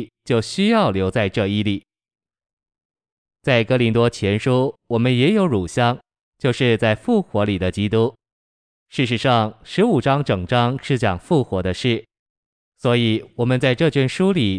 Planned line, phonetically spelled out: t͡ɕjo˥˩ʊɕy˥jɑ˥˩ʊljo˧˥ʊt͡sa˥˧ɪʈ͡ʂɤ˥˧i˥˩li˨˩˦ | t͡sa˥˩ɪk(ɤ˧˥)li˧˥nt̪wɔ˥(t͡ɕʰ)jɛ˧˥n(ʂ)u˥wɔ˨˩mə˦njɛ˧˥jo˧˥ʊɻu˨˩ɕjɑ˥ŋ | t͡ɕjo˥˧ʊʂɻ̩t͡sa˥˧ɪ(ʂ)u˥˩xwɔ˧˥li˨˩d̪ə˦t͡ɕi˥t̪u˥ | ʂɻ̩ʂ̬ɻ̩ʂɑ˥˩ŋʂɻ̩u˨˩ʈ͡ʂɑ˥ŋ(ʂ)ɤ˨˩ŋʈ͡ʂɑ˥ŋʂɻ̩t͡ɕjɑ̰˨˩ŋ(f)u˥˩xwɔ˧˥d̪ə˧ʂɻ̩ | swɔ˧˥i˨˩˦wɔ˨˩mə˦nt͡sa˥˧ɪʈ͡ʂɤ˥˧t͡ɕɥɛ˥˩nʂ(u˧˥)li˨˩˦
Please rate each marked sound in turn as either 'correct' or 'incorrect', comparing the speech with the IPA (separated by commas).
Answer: incorrect, correct, correct, incorrect, incorrect, correct, incorrect